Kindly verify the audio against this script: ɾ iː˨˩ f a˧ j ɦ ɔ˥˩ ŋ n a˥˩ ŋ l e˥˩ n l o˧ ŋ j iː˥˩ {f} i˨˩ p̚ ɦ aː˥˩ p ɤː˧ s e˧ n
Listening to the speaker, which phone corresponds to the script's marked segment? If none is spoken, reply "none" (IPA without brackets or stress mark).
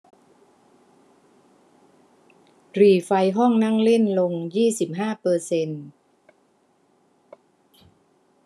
s